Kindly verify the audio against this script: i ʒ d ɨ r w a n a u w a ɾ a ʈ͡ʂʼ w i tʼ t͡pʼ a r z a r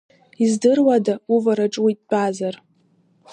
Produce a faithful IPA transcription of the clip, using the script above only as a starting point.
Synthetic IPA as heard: i z d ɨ r w a d a u v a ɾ a ʈ͡ʂʼ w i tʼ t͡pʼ a z a r